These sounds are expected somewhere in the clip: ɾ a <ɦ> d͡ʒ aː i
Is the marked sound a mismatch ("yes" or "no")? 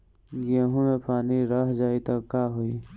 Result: no